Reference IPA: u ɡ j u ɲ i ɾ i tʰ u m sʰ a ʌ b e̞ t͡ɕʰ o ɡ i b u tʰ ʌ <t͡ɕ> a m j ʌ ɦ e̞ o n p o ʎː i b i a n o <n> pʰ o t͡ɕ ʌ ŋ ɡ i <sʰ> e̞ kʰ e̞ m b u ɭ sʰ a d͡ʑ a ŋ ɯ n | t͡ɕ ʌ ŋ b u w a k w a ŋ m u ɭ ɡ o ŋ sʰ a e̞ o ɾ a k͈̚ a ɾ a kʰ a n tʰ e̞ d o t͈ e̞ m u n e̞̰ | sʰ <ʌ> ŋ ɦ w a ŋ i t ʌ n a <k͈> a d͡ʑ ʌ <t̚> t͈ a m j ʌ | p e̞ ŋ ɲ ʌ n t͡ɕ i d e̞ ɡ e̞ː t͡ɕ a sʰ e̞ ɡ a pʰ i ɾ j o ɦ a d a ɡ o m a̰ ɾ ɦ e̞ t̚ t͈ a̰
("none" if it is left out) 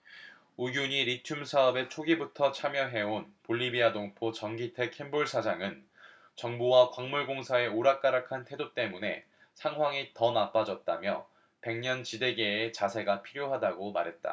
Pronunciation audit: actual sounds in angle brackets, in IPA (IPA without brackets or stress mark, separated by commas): t͡ɕʰ, ŋ, tʰ, a, p͈, t̚